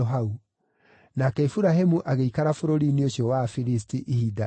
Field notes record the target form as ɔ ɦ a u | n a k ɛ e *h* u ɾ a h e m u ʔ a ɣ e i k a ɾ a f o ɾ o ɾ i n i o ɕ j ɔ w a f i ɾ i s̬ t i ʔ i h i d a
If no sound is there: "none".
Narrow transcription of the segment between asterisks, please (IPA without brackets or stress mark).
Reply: f